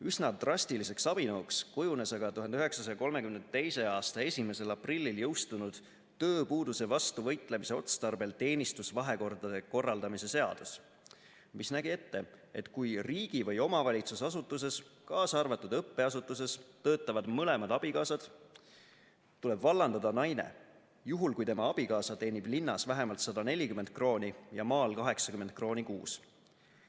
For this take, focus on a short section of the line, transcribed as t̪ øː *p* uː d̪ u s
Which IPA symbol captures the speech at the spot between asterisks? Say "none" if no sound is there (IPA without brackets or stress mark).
p